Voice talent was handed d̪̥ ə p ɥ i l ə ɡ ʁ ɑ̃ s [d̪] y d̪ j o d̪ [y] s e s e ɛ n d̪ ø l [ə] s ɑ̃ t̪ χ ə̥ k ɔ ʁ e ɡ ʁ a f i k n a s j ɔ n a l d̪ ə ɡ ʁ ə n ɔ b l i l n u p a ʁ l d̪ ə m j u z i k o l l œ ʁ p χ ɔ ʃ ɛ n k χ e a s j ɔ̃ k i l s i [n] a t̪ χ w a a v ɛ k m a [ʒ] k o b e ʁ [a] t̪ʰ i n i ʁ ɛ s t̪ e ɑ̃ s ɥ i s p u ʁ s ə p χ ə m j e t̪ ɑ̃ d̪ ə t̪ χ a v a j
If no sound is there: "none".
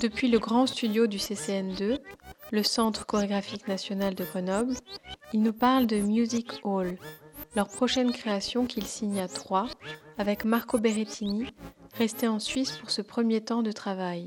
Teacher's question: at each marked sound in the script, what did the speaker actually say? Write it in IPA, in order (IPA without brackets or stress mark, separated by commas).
t̪, y, ə, ɲ, ʁ, e